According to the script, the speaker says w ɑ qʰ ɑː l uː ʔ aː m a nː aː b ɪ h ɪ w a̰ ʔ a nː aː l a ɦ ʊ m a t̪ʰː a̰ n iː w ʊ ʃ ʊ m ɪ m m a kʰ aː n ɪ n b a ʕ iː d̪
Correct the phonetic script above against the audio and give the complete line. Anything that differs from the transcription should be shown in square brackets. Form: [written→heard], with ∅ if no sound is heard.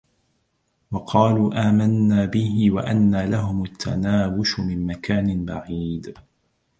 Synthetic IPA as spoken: w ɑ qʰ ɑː l uː ʔ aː m a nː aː b ɪ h ɪ w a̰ ʔ a nː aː l a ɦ ʊ m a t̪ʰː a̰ n [iː→aː] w ʊ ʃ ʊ m ɪ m m a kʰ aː n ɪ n b a ʕ iː d̪